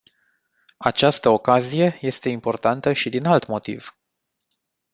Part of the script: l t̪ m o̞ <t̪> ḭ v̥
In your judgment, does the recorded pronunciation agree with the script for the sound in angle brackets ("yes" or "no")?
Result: yes